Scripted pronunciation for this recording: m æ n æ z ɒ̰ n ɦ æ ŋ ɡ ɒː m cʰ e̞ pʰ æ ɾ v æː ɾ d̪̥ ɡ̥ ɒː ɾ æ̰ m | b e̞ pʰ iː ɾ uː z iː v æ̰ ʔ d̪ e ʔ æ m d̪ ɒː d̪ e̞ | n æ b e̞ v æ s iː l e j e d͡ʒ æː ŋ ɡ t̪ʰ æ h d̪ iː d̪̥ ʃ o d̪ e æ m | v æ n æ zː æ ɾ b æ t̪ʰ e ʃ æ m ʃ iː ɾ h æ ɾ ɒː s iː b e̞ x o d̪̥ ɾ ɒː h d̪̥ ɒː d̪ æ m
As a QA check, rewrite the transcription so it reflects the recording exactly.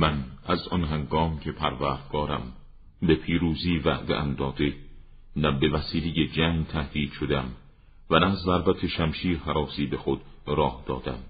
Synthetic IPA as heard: m æ n æ z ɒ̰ n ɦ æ ŋ ɡ ɒː m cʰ e̞ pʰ æ ɾ v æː ɾ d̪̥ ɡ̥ ɒː ɾ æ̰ m | b e̞ pʰ iː ɾ uː z iː v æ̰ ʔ d̪ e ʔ æ m d̪ ɒː d̪ e̞ | n æ b e̞ v æ s iː l e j e d͡ʒ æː ŋ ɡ t̪ʰ æ h d̪ iː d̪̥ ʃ o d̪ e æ m | v æ n æ zː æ ɾ b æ t̪ʰ e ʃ æ m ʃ iː ɾ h æ ɾ ɒː s iː b e̞ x o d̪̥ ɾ ɒː h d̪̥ ɒː d̪ æ m